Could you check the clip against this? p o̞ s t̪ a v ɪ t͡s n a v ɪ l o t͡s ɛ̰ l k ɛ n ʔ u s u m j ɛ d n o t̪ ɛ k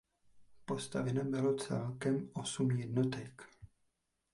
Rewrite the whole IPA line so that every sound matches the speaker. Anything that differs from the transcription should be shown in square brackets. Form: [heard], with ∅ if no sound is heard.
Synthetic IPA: p o̞ s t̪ a v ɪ [∅] n a [b] ɪ l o t͡s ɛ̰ l k ɛ [m] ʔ [o] s u m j ɛ d n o t̪ ɛ k